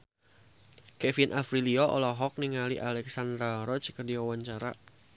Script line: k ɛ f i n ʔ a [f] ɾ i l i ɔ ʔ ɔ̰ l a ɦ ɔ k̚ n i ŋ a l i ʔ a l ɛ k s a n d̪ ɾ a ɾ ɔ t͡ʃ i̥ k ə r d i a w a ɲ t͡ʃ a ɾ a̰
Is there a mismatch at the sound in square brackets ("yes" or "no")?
no